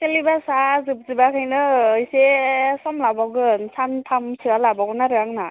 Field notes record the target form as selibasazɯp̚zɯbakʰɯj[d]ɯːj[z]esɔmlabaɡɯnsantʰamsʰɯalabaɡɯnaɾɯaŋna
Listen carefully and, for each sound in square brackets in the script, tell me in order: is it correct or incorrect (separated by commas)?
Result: incorrect, incorrect